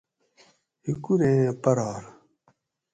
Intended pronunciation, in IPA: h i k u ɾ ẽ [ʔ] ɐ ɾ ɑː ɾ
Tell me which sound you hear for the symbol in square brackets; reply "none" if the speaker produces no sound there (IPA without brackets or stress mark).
p